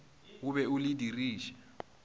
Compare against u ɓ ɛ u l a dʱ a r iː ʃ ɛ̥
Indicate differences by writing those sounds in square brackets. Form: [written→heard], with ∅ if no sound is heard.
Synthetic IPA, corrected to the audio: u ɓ ɛ u l [a→i] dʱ [a→i] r iː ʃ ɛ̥